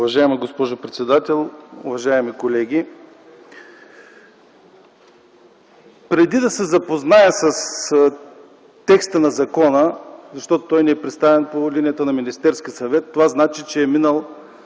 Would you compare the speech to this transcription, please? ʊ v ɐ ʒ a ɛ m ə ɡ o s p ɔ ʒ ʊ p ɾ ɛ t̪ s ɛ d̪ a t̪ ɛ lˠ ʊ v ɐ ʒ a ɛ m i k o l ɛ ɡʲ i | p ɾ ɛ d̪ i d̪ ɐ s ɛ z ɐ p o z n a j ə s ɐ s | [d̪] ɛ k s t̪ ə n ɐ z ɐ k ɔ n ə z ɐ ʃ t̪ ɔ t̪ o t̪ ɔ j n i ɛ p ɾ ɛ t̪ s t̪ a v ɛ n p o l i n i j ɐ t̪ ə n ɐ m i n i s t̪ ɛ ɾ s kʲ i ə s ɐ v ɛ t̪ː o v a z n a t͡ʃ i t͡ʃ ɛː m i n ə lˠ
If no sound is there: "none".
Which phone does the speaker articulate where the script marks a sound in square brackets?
t̪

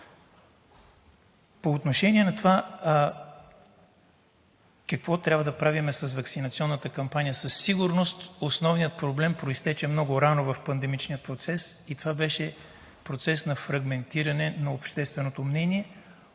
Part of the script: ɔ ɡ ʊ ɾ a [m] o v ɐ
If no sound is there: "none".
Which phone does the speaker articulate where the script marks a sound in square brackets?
n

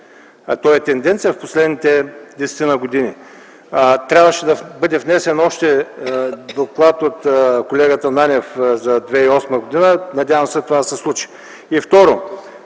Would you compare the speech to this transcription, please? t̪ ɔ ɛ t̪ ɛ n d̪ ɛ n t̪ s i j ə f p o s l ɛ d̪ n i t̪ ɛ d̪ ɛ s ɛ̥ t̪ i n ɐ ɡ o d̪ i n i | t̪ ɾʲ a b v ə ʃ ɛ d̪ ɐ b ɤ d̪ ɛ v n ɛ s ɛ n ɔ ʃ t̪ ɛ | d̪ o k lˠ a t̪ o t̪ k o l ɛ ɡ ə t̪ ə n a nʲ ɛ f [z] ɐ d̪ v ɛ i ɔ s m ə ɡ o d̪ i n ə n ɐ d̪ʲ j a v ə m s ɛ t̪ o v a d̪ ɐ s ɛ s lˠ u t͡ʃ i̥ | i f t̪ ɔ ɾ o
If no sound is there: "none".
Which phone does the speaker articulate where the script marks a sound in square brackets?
z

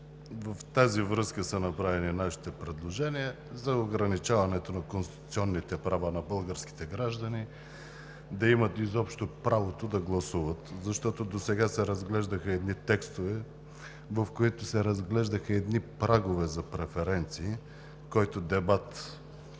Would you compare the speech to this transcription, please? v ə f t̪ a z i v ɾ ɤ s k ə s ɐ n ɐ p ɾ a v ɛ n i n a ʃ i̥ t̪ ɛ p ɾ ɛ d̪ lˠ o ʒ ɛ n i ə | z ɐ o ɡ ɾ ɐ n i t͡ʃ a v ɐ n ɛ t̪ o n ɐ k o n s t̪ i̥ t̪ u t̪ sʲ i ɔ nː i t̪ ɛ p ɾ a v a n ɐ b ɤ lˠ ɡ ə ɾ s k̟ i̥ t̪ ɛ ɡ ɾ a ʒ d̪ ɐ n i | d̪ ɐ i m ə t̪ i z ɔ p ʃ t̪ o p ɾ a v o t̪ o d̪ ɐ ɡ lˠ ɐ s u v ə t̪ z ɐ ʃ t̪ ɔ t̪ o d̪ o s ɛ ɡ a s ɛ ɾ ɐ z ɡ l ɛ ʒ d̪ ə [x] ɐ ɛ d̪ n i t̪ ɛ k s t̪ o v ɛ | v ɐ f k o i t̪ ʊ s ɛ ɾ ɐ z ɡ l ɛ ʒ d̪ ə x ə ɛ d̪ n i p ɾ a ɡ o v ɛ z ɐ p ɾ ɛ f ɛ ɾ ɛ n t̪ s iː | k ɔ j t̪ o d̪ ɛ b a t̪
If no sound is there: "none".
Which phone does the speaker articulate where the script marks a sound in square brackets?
x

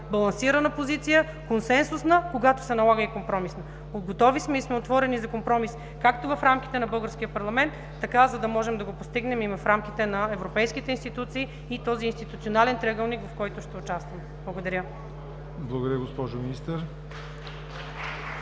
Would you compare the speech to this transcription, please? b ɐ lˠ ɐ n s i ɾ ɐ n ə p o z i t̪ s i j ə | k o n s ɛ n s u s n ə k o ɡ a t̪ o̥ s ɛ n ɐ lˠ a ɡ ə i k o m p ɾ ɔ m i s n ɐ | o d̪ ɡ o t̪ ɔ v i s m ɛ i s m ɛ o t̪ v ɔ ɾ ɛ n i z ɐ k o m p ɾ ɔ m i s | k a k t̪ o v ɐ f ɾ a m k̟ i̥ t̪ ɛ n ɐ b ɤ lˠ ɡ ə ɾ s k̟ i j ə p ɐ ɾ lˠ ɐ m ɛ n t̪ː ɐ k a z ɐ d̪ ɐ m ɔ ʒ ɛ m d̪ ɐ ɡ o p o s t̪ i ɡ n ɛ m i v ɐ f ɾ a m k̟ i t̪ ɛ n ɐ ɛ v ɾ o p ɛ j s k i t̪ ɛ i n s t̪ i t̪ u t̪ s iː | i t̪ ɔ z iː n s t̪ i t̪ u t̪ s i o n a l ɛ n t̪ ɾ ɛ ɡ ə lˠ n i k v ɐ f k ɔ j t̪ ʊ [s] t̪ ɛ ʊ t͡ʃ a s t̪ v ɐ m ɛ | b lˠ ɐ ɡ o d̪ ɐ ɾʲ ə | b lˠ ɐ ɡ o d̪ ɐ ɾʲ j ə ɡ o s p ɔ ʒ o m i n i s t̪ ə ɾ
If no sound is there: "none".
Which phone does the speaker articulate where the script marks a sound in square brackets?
ʃ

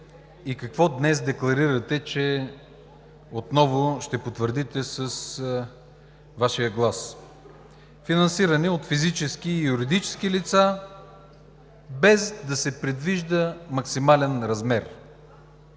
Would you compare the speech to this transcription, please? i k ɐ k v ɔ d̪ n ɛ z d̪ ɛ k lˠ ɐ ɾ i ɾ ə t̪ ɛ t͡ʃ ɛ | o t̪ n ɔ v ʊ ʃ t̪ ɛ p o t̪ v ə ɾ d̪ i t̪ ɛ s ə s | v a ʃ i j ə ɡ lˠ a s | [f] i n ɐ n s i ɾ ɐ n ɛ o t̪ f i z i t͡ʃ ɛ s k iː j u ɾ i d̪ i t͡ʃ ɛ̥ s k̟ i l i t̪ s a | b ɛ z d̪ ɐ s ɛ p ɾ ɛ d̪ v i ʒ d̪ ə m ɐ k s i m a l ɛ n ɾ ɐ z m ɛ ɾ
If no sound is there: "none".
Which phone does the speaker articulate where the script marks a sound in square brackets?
f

